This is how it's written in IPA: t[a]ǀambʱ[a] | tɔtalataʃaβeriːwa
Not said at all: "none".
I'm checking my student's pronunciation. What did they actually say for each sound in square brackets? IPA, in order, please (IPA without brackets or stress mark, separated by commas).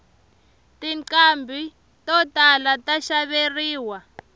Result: i, i